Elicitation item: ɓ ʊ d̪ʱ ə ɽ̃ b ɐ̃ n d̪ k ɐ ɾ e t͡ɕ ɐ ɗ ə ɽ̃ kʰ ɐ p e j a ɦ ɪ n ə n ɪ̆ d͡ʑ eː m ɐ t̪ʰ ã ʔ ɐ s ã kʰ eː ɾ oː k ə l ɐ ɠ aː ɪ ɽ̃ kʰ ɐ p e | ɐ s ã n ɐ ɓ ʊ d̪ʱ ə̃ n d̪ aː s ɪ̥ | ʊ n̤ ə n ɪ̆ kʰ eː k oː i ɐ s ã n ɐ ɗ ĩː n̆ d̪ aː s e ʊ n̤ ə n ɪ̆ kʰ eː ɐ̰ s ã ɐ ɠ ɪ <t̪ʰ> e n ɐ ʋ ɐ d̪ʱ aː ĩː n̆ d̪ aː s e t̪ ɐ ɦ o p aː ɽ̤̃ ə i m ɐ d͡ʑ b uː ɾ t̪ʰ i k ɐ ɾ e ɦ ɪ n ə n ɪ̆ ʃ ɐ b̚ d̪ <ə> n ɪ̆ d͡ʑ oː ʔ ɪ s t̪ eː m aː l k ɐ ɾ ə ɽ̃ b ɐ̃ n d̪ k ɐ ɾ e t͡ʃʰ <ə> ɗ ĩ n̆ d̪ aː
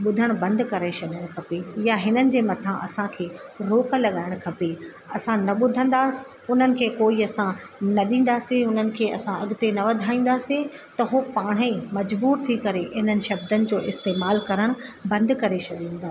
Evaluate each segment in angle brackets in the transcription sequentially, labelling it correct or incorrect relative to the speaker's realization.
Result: incorrect: t̪, correct, incorrect: ɐ

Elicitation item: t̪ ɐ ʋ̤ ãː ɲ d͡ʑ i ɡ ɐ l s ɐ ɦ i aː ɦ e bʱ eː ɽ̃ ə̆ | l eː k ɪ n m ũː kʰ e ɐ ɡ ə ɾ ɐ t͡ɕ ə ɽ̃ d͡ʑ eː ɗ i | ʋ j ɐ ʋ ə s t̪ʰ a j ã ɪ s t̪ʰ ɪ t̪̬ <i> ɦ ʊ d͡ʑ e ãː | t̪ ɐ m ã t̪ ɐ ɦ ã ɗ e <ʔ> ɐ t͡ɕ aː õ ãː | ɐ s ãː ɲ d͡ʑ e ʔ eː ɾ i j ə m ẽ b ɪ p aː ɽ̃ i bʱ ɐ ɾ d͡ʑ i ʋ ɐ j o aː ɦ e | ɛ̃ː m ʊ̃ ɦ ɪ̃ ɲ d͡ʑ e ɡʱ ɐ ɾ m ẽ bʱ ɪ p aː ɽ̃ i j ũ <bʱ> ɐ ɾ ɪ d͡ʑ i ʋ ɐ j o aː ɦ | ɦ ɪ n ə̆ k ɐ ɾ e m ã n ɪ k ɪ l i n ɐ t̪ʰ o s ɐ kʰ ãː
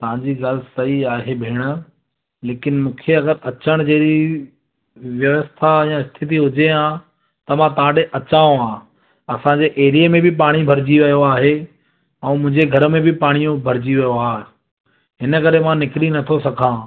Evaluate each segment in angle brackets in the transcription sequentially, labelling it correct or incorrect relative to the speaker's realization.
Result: correct, correct, correct

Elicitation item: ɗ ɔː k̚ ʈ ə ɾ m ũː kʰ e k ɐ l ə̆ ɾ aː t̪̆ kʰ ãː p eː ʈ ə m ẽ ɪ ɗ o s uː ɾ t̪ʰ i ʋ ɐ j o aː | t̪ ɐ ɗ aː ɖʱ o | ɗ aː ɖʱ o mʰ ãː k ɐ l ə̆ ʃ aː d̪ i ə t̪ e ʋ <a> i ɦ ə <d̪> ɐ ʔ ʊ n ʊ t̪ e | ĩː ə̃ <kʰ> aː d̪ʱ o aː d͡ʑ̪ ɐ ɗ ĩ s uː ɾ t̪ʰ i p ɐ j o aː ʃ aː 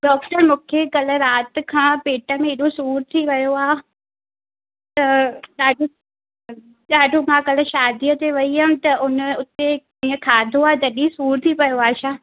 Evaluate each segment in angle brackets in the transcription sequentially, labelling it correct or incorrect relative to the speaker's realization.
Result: incorrect: ɐ, incorrect: t̪, correct

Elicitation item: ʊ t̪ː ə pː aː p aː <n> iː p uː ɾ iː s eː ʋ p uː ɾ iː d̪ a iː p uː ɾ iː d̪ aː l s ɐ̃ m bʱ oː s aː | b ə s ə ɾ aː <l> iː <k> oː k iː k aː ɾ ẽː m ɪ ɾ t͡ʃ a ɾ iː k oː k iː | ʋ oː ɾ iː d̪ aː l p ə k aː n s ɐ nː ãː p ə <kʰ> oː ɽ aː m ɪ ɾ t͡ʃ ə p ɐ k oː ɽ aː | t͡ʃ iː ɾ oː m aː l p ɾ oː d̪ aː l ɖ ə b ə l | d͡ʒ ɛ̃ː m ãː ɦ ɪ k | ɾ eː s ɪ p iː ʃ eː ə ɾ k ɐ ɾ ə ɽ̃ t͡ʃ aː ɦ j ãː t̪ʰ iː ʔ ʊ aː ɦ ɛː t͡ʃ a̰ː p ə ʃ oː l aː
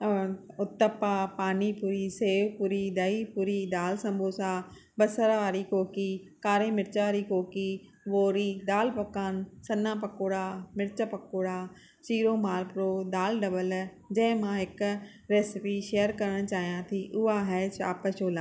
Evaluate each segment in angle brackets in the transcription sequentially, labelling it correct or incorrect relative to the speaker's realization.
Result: correct, incorrect: ɾ, correct, incorrect: k

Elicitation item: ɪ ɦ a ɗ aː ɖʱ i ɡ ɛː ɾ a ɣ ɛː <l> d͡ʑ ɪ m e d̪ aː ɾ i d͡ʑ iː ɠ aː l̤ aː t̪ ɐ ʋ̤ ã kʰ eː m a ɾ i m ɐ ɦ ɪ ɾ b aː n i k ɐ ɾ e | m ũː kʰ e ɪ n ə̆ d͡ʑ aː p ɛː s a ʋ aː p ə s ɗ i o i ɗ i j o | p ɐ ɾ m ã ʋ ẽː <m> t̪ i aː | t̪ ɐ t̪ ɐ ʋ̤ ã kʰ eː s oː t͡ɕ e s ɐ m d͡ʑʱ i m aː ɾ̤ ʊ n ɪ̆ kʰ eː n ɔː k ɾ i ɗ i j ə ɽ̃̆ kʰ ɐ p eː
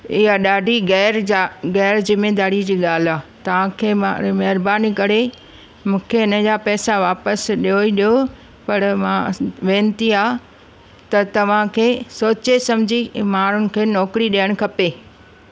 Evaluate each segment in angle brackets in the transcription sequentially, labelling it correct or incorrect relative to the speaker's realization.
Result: incorrect: ɾ, incorrect: n

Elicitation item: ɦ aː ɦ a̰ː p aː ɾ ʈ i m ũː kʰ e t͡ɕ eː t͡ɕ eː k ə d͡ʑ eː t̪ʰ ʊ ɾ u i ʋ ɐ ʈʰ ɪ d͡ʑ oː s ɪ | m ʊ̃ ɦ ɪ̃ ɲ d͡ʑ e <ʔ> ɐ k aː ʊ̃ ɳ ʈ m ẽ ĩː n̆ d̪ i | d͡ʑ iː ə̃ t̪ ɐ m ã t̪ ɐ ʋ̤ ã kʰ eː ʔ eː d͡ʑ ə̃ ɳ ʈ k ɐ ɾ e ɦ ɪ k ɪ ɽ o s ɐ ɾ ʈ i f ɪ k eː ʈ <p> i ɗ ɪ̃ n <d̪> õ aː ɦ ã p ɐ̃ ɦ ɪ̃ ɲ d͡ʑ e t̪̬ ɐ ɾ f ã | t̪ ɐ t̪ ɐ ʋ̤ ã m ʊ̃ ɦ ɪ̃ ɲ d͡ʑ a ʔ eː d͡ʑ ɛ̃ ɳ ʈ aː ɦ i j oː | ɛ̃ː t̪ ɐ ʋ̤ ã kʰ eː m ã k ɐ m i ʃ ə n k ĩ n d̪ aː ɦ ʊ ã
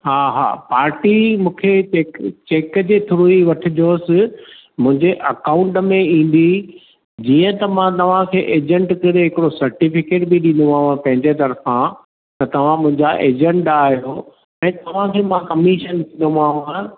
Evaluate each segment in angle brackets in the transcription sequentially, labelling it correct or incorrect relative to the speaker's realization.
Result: correct, incorrect: b, correct

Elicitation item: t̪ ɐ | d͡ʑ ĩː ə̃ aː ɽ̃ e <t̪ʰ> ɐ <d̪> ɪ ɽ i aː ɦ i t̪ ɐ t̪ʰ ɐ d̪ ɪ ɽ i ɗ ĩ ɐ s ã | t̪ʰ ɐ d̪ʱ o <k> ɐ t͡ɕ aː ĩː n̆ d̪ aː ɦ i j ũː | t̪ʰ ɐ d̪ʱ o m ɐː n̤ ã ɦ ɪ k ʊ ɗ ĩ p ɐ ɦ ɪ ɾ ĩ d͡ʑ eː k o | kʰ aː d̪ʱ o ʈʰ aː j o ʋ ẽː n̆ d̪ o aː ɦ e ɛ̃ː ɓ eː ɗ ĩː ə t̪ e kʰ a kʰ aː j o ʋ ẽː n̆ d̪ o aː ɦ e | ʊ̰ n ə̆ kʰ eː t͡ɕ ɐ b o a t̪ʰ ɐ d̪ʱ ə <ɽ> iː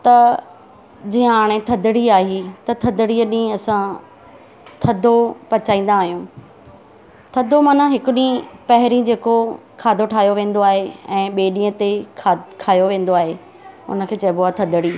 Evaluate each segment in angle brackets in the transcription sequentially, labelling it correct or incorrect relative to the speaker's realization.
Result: correct, correct, incorrect: p, correct

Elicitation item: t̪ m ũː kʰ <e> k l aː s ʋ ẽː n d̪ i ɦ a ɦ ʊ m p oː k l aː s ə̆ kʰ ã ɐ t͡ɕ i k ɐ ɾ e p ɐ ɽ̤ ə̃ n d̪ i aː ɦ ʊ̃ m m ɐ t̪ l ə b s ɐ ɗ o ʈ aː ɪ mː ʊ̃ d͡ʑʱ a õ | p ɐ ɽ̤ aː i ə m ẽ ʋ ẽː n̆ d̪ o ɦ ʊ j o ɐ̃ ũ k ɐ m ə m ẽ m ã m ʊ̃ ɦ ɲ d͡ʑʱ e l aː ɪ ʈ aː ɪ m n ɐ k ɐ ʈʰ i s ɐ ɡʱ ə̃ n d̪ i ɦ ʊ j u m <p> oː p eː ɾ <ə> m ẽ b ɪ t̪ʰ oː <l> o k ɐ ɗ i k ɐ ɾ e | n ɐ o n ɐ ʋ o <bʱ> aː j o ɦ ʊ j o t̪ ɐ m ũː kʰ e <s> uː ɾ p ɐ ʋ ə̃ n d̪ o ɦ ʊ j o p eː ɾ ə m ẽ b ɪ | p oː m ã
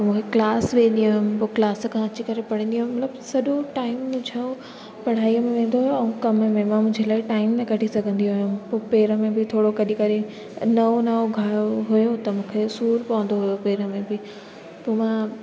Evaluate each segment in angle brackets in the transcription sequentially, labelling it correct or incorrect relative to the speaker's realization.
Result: correct, correct, correct, incorrect: ɽ, incorrect: ɡʱ, correct

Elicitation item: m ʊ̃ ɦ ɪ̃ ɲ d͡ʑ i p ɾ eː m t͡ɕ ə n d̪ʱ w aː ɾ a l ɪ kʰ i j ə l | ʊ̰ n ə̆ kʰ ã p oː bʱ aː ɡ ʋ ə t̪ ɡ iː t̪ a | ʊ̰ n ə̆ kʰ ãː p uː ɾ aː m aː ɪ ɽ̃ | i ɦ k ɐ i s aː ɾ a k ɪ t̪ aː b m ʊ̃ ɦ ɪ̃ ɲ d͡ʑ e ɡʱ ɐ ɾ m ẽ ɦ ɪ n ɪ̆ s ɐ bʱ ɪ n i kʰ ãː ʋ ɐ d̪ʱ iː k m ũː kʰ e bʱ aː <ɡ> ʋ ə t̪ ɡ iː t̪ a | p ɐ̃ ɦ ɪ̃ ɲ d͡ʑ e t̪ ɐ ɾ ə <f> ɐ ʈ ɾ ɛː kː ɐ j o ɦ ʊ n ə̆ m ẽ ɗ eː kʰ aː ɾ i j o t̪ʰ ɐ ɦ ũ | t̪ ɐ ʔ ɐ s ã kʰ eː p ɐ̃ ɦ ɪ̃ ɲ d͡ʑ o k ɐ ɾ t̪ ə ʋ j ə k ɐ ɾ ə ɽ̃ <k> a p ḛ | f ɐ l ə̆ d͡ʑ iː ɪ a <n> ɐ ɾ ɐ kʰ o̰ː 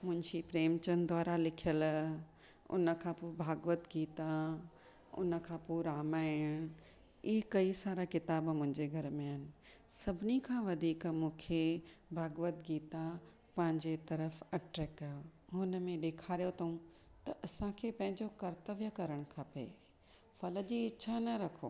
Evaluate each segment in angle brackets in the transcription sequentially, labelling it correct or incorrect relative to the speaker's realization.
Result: correct, correct, incorrect: kʰ, correct

